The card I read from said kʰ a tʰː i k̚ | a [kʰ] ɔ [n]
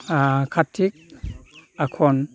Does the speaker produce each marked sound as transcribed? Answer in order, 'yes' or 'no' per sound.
yes, yes

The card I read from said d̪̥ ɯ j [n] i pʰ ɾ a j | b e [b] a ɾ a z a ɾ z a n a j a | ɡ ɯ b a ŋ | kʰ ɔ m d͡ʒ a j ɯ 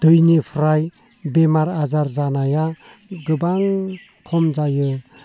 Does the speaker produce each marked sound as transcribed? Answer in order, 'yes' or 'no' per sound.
yes, no

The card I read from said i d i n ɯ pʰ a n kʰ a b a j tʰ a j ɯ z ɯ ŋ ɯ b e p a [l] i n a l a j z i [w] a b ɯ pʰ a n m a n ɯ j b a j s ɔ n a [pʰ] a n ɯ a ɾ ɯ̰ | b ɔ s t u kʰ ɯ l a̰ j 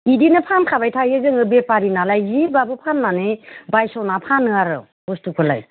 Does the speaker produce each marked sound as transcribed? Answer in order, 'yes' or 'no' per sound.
no, no, yes

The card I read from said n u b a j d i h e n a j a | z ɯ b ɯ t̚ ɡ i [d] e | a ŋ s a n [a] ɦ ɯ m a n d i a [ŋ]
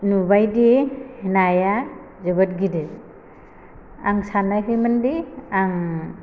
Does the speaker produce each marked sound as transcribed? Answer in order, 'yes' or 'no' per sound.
yes, yes, yes

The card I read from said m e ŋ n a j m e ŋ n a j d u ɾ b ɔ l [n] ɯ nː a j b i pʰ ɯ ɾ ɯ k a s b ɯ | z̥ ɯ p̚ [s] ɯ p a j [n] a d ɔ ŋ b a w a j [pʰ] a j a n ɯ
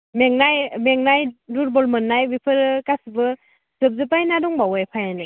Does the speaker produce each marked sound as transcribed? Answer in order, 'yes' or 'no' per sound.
no, no, yes, yes

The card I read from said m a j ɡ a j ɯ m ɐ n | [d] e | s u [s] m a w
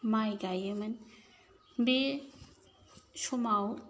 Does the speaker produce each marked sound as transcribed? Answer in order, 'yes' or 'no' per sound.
no, no

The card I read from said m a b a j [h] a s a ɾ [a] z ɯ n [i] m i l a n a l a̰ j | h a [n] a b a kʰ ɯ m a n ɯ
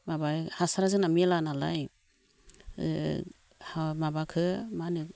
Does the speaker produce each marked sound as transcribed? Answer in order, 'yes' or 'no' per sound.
yes, yes, no, no

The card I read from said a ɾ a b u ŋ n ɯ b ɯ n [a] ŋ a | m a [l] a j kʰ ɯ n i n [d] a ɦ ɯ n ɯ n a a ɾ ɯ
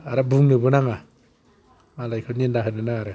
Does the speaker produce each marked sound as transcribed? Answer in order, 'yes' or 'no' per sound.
yes, yes, yes

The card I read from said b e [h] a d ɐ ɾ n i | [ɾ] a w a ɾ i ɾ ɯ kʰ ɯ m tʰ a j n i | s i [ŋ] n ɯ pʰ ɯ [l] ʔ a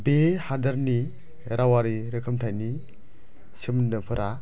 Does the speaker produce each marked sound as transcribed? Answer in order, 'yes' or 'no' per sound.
yes, yes, no, no

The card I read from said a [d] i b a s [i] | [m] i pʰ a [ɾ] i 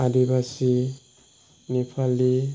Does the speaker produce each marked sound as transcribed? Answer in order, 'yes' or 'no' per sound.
yes, yes, no, no

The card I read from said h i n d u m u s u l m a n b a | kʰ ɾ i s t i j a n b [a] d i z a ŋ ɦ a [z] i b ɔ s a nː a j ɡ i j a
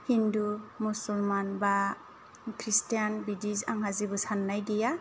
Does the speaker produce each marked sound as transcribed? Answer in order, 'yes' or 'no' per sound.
no, yes

